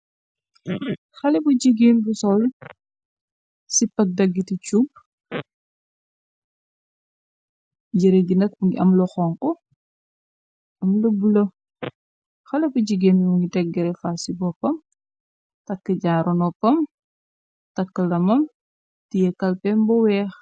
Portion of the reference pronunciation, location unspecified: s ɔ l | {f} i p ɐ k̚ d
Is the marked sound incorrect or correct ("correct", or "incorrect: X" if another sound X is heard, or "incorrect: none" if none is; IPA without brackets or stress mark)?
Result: incorrect: s